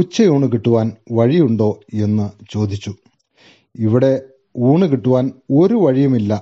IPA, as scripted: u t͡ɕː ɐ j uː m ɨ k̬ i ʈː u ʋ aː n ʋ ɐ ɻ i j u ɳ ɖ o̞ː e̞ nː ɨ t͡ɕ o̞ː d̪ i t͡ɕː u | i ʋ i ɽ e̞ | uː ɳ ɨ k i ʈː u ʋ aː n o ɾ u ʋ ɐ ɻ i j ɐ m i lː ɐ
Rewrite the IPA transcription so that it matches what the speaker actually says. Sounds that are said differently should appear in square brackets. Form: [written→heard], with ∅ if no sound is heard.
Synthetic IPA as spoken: u t͡ɕː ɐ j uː [m→ɳ] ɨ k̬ i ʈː u ʋ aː n ʋ ɐ ɻ i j u ɳ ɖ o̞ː e̞ nː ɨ t͡ɕ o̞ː d̪ i t͡ɕː u | i ʋ i ɽ e̞ | uː ɳ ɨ k i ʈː u ʋ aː n o ɾ u ʋ ɐ ɻ i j ɐ m i lː ɐ